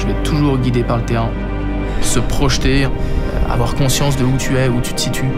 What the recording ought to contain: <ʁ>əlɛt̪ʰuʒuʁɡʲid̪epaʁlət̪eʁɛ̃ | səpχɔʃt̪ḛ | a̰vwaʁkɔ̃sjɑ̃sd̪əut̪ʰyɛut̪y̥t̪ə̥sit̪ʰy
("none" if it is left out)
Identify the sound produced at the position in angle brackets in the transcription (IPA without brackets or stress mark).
ʒ